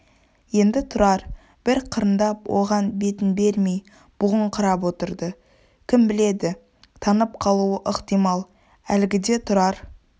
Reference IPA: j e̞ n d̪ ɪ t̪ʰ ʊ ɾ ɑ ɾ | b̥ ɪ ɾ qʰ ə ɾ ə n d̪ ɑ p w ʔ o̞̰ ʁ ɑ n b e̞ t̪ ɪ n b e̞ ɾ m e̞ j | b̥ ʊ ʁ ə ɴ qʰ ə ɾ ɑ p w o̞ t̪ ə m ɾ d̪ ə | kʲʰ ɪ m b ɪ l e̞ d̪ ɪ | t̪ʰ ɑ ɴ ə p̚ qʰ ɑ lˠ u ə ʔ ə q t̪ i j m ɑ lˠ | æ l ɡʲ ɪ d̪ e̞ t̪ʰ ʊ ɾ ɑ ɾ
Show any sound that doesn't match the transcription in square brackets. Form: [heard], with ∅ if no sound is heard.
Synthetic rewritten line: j e̞ n d̪ ɪ t̪ʰ ʊ ɾ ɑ ɾ | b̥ ɪ ɾ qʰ ə ɾ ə n d̪ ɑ p w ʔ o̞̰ ʁ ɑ n b e̞ t̪ ɪ n b e̞ ɾ m e̞ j | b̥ ʊ ʁ ə ɴ qʰ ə ɾ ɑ p w o̞ t̪ ə [∅] ɾ d̪ ə | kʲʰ ɪ m b ɪ l e̞ d̪ ɪ | t̪ʰ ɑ [n] ə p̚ qʰ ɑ lˠ u ə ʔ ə q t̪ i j m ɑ lˠ | æ l ɡʲ ɪ d̪ e̞ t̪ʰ ʊ ɾ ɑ ɾ